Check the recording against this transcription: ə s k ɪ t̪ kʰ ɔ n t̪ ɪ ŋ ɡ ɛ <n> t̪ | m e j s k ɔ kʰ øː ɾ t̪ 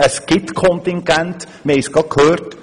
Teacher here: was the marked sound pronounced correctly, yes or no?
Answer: yes